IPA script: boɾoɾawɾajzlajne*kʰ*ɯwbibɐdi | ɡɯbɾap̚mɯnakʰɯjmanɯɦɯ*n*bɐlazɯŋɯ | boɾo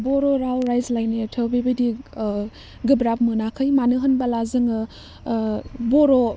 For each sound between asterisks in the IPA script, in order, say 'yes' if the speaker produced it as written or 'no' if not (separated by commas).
no, yes